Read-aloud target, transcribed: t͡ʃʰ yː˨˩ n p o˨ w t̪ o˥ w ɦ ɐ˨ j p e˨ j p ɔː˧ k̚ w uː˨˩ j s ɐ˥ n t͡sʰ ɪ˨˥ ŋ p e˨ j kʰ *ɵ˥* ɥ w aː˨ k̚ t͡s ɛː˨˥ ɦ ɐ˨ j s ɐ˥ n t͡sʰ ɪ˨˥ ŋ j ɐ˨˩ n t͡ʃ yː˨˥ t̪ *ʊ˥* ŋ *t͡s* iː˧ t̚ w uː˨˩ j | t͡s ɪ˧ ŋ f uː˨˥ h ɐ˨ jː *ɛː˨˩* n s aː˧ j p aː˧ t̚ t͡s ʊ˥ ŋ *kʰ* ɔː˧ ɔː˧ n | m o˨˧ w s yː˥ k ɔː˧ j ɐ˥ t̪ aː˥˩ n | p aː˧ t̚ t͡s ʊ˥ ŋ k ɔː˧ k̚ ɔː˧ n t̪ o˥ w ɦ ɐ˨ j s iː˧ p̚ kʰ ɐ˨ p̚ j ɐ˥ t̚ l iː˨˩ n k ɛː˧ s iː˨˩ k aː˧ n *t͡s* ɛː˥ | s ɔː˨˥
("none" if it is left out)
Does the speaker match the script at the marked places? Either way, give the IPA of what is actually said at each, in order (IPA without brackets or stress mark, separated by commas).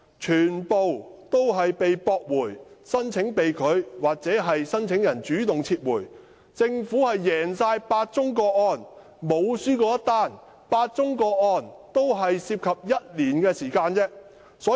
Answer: ɵ˨˧, ʊ˨, t͡sʰ, ɛː˨˩, k, t͡s